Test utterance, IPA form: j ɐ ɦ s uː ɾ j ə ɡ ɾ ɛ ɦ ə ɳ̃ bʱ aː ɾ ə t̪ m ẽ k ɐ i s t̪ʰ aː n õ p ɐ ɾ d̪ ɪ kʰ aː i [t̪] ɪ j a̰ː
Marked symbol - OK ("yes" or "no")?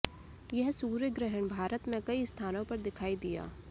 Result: no